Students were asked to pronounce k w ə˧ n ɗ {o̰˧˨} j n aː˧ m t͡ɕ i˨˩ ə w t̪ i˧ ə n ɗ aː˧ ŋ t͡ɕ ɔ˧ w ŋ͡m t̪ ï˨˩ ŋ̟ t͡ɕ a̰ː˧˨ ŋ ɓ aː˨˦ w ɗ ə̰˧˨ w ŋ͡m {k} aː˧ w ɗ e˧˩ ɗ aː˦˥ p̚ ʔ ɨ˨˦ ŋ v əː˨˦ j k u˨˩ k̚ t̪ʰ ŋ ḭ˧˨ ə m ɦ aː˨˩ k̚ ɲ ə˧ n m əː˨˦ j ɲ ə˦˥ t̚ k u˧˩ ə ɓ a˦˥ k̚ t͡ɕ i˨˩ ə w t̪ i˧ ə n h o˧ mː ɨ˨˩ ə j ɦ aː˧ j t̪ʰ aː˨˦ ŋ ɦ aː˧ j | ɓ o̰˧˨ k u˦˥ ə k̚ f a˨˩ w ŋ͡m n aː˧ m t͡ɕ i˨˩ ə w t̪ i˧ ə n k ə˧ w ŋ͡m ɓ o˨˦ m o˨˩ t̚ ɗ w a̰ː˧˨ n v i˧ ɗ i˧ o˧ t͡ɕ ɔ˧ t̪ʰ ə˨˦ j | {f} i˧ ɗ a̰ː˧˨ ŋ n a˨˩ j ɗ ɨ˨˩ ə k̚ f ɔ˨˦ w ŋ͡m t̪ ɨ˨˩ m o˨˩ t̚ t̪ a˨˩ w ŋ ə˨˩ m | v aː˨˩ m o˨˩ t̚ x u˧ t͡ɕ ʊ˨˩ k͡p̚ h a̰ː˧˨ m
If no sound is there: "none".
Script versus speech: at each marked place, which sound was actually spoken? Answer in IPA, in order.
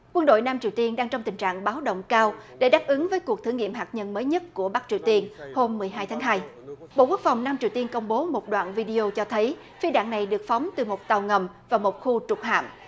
o̰˧˨, k, f

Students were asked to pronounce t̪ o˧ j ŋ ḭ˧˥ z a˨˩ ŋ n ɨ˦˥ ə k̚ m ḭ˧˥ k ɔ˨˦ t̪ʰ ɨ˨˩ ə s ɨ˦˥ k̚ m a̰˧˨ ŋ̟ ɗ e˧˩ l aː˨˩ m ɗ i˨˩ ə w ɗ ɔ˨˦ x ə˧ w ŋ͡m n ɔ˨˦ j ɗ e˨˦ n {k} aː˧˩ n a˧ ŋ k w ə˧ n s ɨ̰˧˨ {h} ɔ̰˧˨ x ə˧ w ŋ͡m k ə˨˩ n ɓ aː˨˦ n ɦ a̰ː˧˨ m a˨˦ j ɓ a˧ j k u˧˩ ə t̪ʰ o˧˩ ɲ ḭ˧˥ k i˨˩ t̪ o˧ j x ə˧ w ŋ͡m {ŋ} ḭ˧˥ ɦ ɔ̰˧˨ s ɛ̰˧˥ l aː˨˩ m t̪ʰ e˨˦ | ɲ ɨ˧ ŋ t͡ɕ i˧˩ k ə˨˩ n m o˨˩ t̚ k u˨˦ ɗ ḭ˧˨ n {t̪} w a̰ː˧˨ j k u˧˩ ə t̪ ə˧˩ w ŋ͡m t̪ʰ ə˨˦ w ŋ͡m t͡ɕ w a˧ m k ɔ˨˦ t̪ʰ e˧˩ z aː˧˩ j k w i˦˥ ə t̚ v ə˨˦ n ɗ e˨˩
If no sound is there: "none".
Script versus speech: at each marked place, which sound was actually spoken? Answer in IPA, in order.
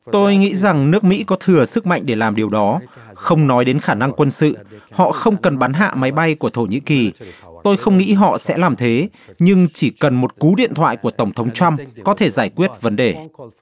x, h, ŋ, t̪ʰ

